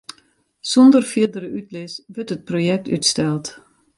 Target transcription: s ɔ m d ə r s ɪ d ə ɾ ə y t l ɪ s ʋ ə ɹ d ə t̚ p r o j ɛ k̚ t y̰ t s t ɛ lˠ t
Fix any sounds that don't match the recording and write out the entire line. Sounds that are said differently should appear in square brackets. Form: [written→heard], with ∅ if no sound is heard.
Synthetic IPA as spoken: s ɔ [m→n] d ə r [s→f] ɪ d ə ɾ ə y t l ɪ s ʋ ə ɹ [d→t] ə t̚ p r o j ɛ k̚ t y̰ t s t ɛ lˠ t